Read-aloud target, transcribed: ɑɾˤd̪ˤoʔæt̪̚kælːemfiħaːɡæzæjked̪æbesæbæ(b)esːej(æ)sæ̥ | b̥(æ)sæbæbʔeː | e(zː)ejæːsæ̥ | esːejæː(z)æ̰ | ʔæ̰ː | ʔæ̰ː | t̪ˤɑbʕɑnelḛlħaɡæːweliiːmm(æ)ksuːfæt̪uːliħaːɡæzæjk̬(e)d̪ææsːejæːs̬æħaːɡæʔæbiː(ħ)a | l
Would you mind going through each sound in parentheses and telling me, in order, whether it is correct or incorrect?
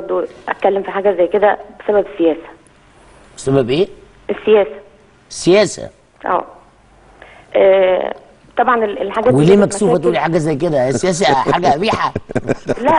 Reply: correct, incorrect: æː, incorrect: e, incorrect: sː, incorrect: s, correct, correct, correct

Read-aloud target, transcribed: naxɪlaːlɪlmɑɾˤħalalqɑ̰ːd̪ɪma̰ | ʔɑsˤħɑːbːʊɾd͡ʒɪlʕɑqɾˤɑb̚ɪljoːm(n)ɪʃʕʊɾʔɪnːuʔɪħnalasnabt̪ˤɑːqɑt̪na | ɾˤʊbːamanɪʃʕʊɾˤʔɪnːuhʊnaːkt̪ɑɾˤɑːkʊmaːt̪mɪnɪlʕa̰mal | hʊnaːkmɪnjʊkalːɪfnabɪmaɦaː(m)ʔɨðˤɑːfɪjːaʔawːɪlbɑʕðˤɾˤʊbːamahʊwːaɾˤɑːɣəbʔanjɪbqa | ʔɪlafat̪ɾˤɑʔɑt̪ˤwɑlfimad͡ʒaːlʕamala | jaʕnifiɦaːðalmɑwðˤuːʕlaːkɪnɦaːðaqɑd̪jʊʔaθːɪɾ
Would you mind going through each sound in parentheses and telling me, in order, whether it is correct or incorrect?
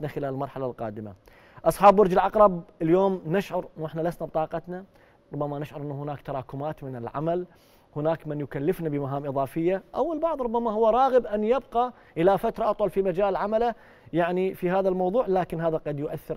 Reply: correct, correct

